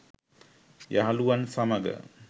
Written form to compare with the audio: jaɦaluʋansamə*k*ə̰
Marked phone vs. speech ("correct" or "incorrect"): incorrect